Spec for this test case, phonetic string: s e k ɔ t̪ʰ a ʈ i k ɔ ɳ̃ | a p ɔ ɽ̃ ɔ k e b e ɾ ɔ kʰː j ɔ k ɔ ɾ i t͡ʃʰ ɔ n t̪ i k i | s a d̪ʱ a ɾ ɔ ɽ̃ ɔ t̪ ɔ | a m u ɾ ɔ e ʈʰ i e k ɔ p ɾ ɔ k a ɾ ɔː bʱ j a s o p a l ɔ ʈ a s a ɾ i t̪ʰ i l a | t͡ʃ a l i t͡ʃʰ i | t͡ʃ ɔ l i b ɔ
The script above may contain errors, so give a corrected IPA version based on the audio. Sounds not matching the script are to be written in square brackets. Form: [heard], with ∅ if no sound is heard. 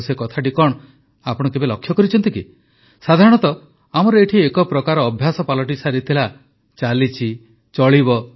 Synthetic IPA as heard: s e k ɔ t̪ʰ a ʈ i k ɔ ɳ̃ | a p ɔ ɽ̃ ɔ k e b e [l] ɔ kʰː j ɔ k ɔ ɾ i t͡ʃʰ ɔ n t̪ i k i | s a d̪ʱ a ɾ ɔ ɽ̃ ɔ t̪ ɔ | a m [ɔ] ɾ ɔ e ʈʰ i e k ɔ p ɾ ɔ k a ɾ ɔː bʱ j a s [ɔ] p a l ɔ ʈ [i] s a ɾ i t̪ʰ i l a | t͡ʃ a l i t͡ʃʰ i | t͡ʃ ɔ [ɭ] i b ɔ